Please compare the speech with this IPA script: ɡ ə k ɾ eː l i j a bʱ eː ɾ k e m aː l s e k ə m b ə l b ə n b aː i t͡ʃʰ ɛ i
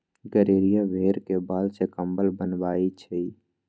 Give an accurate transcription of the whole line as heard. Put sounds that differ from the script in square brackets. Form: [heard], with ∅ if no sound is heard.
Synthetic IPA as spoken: ɡ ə [∅] ɾ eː [ɾ] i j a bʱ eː ɾ k e [b] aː l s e k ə m b ə l b ə n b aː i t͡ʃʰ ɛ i